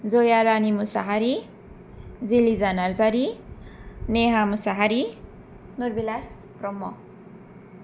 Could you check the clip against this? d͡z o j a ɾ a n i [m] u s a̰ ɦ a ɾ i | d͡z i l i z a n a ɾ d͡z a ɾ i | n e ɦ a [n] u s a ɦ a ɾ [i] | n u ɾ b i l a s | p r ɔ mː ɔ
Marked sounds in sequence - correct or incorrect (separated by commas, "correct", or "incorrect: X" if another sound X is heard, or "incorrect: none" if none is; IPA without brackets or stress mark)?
correct, incorrect: m, correct